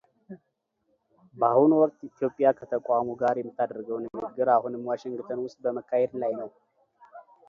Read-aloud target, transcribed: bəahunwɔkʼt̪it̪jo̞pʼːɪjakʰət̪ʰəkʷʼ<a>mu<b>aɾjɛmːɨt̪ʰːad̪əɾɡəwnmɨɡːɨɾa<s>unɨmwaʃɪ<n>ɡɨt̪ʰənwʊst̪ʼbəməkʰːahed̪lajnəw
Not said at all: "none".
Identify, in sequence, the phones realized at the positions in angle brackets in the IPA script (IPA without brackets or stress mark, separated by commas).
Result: a, ɡ, h, ŋ